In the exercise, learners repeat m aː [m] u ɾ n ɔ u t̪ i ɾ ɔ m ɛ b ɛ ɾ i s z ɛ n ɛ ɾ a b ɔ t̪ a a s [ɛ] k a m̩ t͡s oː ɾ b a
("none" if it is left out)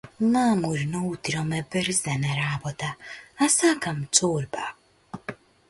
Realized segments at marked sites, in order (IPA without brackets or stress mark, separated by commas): m, a